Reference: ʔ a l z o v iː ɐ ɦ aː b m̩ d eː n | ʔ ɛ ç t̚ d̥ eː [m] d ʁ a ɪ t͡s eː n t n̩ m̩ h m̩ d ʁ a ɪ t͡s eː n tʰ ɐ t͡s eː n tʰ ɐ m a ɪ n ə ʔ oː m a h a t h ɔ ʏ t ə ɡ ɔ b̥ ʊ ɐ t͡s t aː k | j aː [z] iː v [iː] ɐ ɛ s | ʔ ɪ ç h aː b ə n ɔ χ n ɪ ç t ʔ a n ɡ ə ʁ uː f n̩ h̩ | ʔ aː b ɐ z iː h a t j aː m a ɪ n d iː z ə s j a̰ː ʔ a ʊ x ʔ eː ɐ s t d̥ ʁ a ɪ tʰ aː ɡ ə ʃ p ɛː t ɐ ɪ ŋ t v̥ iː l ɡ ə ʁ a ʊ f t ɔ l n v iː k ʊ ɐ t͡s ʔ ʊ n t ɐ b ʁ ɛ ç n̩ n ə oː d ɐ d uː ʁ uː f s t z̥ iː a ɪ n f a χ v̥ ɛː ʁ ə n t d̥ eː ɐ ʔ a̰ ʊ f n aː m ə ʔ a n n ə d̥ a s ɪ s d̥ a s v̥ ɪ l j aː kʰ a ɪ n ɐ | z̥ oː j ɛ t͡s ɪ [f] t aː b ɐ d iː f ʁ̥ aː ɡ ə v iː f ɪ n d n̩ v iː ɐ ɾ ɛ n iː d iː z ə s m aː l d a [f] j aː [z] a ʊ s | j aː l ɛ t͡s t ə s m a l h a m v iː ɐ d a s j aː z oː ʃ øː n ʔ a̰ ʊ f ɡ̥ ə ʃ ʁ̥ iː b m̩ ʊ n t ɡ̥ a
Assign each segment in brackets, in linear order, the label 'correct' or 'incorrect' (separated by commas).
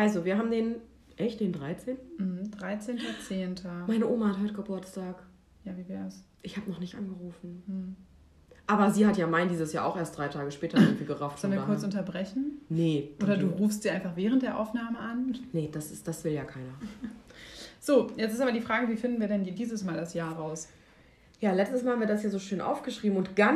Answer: incorrect, incorrect, incorrect, incorrect, incorrect, incorrect